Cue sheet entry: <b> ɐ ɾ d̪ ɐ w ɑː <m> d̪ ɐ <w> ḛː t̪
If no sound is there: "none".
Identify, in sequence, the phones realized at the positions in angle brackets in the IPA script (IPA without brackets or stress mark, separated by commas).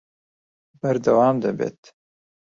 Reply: b, m, b